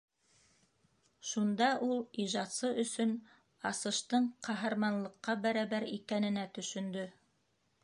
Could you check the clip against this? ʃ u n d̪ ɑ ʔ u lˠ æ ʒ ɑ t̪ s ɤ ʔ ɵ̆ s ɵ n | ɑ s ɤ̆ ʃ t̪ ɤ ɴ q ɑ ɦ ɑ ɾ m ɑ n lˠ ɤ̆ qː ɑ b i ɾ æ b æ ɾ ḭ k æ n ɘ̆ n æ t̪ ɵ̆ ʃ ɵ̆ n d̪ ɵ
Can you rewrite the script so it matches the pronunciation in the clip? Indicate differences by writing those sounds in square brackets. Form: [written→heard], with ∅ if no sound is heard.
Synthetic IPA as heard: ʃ u n d̪ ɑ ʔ u lˠ [æ→i] ʒ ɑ t̪ s ɤ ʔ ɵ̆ s ɵ n | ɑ s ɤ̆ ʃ t̪ ɤ ɴ q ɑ ɦ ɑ ɾ m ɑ n lˠ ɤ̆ qː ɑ b [i→æ] ɾ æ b æ ɾ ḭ k æ n ɘ̆ n æ t̪ ɵ̆ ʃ ɵ̆ n d̪ ɵ